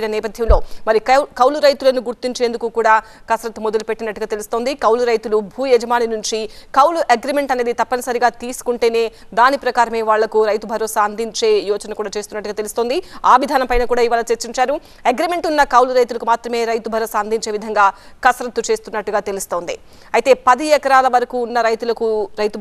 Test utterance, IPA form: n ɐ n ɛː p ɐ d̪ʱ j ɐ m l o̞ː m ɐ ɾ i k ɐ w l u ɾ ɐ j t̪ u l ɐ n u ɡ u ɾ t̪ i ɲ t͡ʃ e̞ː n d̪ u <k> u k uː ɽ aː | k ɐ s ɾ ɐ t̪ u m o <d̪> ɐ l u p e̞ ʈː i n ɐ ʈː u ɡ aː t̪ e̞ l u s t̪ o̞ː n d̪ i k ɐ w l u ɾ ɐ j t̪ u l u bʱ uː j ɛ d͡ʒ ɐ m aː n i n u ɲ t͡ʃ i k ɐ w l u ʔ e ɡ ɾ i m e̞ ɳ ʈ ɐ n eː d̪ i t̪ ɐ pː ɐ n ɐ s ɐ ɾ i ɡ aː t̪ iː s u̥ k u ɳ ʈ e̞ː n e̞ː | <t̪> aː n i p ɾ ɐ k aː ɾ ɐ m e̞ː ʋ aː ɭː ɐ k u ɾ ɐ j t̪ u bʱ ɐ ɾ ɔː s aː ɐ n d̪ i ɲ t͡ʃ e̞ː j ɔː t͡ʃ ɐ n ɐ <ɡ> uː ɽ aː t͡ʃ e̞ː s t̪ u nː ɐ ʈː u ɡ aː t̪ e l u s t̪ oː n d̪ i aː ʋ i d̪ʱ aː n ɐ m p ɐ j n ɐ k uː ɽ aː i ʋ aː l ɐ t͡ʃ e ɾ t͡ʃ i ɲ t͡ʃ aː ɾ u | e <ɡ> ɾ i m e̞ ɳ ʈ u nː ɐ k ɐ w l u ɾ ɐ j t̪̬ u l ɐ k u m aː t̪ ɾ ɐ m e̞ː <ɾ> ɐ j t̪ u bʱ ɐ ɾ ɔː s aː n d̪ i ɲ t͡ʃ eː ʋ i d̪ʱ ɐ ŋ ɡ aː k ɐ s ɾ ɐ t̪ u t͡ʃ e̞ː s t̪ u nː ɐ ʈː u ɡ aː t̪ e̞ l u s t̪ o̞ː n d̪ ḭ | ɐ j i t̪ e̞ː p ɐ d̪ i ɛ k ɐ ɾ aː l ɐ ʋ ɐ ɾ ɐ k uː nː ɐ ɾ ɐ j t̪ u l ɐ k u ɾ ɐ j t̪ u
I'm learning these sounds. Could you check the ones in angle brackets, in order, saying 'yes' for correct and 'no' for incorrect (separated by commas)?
yes, yes, no, no, yes, yes